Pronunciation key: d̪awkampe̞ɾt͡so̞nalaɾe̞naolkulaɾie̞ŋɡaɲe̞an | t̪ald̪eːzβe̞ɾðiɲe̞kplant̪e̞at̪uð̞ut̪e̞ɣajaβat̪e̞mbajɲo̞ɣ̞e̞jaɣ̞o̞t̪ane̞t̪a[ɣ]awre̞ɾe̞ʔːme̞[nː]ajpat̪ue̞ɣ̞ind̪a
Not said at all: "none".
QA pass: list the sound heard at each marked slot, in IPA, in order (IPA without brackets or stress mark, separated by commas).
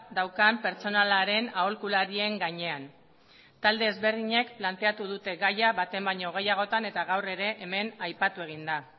ɣ, n